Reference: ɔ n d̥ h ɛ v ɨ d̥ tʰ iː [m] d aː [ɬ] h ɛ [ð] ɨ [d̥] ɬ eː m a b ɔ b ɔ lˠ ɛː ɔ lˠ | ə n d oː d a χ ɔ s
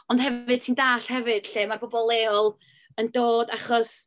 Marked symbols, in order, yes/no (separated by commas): no, yes, no, yes